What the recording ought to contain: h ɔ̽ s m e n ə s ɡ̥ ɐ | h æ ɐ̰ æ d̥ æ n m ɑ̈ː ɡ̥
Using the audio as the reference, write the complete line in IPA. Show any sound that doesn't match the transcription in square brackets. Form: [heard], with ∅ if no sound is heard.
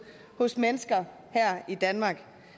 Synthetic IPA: h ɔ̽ s m e n ə s ɡ̥ ɐ | h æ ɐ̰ [i] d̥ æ n m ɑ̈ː ɡ̥